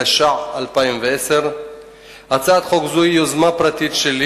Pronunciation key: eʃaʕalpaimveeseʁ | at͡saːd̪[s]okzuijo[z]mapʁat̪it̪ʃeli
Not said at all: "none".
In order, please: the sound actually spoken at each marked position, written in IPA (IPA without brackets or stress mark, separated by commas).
χ, z